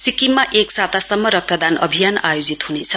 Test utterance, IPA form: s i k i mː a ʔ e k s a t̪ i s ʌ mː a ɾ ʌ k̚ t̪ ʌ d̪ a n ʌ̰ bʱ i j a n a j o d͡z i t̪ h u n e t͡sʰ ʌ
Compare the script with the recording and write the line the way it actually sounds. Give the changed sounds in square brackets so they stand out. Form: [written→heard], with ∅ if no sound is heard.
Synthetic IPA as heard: s i k i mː a ʔ e k s a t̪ [i→a] s ʌ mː [a→ʌ] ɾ ʌ k̚ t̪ ʌ d̪ a n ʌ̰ bʱ i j a n a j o d͡z i t̪ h u n e t͡sʰ ʌ